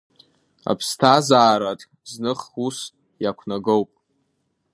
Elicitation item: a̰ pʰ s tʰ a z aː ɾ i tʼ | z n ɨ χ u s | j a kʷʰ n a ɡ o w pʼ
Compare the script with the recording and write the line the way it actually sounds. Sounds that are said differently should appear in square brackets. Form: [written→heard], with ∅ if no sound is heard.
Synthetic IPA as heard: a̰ pʰ s tʰ a z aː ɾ [i→a] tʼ | z n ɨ χ u s | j a kʷʰ n a ɡ o w pʼ